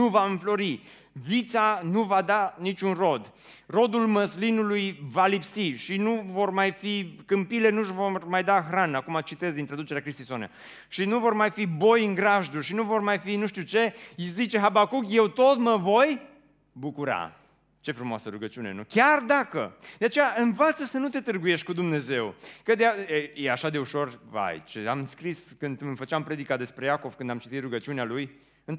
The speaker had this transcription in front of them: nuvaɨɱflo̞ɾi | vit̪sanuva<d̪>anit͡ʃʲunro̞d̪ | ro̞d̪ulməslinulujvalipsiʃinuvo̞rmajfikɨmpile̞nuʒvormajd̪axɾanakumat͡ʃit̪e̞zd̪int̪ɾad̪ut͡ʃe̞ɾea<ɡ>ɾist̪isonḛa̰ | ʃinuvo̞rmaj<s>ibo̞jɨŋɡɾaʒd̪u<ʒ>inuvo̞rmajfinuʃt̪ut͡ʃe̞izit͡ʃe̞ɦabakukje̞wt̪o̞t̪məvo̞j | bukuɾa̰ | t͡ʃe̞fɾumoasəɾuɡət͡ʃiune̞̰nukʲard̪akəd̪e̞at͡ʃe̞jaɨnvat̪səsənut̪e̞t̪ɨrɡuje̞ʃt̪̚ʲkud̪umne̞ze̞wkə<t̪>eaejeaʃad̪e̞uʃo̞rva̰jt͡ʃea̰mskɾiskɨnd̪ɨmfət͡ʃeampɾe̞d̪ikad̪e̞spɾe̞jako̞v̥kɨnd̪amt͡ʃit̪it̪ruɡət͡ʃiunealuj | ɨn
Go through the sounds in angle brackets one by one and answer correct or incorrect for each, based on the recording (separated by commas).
correct, incorrect, incorrect, incorrect, incorrect